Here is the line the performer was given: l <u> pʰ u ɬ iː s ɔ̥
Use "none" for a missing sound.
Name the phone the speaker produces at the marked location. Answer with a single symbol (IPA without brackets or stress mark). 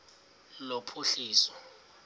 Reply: o